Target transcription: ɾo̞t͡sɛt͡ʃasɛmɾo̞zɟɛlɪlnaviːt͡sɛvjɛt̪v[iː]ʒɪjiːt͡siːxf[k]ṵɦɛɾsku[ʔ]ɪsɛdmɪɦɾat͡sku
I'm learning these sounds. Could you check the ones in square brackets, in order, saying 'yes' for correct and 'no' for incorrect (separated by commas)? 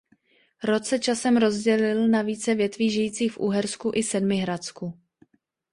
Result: yes, no, yes